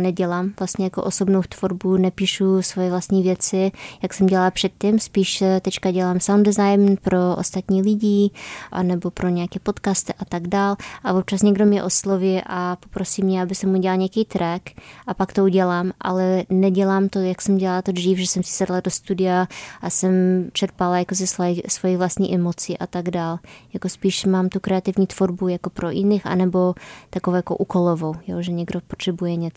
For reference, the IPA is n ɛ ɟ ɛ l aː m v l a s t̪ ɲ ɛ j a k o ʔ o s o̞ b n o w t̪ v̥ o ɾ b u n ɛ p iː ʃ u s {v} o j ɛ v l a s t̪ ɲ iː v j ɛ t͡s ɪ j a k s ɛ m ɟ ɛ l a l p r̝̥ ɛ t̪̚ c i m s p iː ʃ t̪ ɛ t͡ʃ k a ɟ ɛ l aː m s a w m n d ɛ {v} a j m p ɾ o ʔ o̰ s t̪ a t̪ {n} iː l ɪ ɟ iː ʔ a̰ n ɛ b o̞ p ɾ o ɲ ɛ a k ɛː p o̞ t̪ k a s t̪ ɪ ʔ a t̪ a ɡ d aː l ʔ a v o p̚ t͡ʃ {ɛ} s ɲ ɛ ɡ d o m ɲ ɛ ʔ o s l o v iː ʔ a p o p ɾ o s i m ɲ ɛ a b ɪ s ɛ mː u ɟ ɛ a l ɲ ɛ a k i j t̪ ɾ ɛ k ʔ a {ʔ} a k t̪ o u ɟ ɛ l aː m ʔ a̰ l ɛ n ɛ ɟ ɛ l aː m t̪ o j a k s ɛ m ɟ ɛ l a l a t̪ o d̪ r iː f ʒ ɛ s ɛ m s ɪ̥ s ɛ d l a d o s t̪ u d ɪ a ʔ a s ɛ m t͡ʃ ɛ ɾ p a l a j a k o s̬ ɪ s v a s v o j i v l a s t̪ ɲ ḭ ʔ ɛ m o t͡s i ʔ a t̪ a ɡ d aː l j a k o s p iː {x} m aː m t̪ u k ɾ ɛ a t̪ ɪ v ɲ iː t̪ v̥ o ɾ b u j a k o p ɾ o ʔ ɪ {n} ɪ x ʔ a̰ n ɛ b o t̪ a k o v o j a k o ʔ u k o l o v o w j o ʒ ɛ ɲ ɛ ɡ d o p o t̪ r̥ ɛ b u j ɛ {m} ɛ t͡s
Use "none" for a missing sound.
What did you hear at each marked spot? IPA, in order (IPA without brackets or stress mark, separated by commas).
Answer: v, z, ɲ, a, p, ʃ, n, ɲ